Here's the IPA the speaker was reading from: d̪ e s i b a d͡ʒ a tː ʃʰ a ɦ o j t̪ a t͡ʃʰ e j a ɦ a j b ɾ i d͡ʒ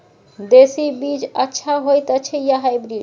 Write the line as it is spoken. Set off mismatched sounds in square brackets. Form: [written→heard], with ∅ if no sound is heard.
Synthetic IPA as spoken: d̪ e s i b [a→i] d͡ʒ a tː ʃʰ a ɦ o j t̪ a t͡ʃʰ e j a ɦ a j b ɾ i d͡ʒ